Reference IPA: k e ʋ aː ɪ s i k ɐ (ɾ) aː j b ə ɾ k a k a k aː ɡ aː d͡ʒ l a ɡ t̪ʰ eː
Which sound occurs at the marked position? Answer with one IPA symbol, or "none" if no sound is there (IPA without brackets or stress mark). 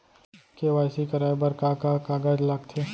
ɾ